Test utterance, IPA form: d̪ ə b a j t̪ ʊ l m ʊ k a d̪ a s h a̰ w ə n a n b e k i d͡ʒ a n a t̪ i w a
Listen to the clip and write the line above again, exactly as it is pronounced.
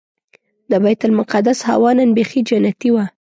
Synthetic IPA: d̪ ə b a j t̪ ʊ l m ʊ q a d̪ a s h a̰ w ɑ n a n b e x i d͡ʒ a n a t̪ i w a